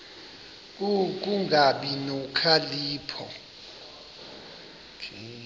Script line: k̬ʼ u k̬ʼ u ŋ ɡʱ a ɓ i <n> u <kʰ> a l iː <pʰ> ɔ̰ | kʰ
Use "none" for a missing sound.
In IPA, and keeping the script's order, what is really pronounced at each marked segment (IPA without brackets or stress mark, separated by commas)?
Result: n, kʰ, pʰ